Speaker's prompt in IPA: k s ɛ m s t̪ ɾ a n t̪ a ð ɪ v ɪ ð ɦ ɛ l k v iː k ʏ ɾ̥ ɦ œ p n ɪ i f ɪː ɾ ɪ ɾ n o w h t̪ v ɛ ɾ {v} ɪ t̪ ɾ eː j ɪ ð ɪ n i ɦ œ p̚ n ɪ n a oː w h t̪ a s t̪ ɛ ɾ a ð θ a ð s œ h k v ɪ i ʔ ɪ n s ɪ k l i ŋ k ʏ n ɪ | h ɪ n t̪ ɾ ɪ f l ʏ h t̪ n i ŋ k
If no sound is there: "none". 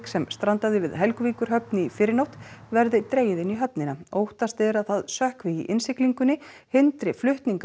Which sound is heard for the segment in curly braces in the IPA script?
ð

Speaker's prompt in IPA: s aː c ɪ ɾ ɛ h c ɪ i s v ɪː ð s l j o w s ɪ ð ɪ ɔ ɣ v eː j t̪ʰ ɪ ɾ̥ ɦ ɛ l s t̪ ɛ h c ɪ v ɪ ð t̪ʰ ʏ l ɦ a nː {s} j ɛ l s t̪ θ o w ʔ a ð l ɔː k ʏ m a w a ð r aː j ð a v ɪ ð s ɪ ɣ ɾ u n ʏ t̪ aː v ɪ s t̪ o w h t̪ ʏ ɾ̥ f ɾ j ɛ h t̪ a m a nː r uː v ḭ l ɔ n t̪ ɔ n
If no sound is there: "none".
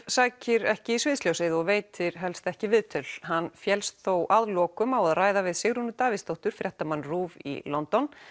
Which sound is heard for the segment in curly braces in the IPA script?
f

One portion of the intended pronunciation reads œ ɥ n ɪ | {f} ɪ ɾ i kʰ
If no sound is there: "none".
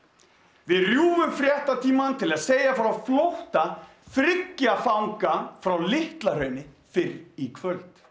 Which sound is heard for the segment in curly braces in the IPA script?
f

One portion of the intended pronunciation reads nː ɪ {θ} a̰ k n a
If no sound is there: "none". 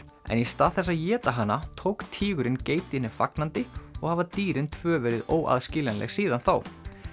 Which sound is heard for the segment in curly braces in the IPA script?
f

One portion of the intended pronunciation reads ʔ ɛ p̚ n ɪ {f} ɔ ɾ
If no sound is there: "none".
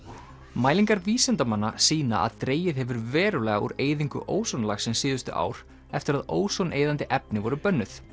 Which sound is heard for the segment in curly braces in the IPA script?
v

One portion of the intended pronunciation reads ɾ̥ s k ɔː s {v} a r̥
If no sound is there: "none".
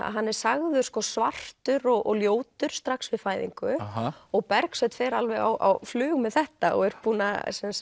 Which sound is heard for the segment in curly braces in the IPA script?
v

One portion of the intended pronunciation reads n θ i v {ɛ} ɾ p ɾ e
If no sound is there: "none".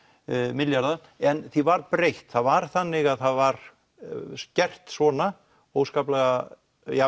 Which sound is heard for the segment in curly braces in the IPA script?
a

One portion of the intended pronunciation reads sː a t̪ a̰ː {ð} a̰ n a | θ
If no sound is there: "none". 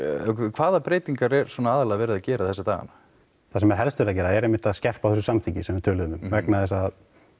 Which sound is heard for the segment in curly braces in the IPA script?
ɣ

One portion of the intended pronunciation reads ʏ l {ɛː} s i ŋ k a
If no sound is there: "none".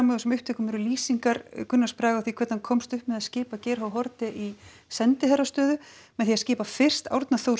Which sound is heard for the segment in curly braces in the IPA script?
iː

